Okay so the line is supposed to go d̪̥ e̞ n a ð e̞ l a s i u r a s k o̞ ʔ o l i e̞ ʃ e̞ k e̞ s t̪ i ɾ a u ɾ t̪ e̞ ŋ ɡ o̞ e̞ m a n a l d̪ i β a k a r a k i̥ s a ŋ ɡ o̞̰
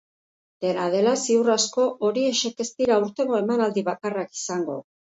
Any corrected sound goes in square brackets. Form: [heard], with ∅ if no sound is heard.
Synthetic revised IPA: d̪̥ e̞ n a ð e̞ l a s i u r a s k o̞ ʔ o [ɾ] i e̞ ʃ e̞ k e̞ s t̪ i ɾ a u ɾ t̪ e̞ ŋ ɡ o̞ e̞ m a n a l d̪ i β a k a r a k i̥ s a ŋ ɡ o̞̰